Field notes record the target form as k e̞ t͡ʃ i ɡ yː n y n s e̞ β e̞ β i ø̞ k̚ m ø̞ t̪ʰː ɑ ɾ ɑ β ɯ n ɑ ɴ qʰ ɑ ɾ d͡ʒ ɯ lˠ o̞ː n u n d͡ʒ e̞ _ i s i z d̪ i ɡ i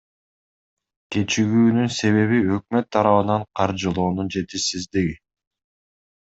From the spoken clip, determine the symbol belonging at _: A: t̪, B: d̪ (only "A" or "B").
A